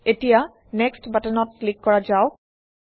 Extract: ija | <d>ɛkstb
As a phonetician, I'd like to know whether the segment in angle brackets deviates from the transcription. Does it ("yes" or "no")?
yes